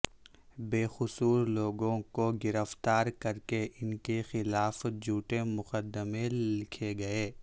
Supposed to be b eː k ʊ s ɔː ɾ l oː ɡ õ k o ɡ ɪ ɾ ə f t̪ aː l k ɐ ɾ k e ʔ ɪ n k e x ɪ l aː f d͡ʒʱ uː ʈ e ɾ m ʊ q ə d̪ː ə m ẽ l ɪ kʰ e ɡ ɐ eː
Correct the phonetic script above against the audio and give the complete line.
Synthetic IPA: b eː x ʊ s uː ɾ l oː ɡ õ k o ɡ ɪ ɾ ə f t̪ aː ɾ k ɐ ɾ k e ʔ ɪ n k e x ɪ l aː f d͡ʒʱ uː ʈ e m ʊ q ə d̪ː ə m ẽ l ɪ kʰ e ɡ ɐ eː